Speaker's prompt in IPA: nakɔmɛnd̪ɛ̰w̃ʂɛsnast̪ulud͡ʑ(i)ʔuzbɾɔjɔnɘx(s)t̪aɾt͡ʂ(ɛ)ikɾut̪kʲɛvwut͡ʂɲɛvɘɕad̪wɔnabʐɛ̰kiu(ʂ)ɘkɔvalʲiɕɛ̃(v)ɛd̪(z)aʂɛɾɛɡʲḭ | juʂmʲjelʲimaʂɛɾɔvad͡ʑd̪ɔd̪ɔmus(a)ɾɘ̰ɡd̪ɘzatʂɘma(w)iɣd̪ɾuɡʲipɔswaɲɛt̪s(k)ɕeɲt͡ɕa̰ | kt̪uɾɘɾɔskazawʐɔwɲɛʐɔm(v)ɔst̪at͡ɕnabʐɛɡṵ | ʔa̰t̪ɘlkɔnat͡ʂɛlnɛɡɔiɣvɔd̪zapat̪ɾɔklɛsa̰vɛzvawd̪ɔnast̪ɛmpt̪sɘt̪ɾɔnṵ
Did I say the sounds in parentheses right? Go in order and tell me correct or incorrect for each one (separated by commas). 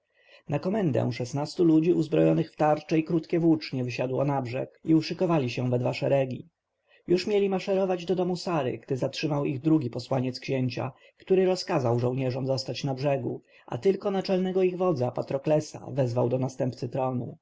correct, incorrect, correct, correct, correct, incorrect, correct, correct, correct, incorrect